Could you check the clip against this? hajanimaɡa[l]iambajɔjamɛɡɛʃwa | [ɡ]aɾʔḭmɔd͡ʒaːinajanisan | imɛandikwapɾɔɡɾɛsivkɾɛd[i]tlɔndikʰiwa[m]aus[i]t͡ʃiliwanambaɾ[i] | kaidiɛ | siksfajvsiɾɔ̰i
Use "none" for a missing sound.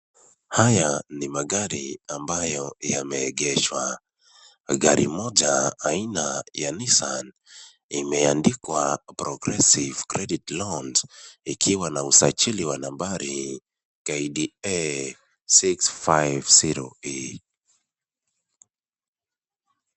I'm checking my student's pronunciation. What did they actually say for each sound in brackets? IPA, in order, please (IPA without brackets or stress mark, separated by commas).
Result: ɾ, ɡ, i, n, a, i